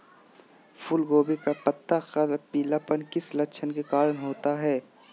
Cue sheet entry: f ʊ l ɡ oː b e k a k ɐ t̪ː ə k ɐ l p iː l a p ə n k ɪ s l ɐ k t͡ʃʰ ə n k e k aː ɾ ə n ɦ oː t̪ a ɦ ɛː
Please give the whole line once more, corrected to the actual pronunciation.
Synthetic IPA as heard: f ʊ l ɡ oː b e k a p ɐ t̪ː a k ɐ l p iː l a p ə n k ɪ s l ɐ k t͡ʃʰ ə n k e k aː ɾ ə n ɦ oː t̪ a ɦ ɛː